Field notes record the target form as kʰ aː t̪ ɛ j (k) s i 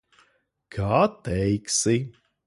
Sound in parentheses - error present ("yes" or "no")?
no